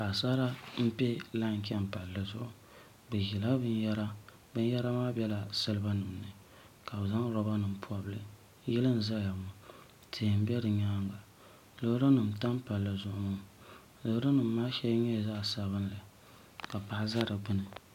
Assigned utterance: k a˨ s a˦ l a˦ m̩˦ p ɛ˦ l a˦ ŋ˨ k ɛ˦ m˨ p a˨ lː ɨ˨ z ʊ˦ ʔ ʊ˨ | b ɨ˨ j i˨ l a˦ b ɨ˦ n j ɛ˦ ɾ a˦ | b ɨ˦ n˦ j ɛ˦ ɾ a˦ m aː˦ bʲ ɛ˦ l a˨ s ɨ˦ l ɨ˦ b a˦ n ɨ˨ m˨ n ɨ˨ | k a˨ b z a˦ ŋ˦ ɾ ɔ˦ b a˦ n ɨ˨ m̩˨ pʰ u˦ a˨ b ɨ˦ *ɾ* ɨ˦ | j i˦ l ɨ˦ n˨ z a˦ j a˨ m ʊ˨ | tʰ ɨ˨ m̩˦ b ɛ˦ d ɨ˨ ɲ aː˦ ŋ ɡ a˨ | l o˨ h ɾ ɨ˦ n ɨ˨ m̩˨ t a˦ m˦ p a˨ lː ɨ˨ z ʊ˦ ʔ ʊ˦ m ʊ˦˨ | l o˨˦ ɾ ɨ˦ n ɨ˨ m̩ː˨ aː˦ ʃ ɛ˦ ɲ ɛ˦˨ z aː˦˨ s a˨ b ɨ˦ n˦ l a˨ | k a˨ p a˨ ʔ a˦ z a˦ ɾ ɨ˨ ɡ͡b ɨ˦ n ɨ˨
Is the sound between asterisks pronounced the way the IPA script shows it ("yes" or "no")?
no